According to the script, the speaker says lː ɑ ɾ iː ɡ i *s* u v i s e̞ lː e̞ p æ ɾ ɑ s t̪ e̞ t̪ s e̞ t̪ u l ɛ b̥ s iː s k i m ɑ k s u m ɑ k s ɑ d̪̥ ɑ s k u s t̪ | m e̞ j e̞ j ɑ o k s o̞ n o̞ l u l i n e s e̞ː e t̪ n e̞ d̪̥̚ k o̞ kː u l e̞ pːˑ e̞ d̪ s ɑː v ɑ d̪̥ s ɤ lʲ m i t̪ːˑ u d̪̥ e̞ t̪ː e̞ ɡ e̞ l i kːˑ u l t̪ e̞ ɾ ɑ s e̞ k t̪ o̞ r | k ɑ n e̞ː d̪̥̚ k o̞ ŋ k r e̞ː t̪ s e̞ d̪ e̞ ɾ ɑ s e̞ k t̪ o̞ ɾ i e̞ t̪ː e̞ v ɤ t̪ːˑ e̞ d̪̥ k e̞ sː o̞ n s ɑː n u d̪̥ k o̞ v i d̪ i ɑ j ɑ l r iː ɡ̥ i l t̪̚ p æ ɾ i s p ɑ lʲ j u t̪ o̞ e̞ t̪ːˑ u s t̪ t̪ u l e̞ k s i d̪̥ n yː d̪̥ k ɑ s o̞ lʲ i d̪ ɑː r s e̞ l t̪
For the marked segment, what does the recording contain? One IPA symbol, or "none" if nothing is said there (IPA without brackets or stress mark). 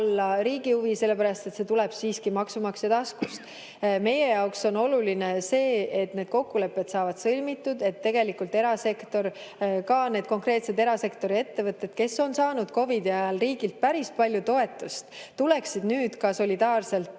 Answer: h